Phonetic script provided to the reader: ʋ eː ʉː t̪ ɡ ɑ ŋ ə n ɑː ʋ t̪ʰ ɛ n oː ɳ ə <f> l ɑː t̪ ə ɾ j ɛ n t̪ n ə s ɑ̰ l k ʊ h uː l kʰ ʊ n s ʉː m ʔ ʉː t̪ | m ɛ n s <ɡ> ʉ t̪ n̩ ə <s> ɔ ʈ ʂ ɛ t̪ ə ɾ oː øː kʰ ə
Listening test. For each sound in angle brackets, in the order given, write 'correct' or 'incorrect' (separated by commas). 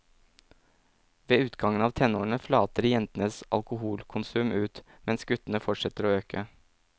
correct, correct, incorrect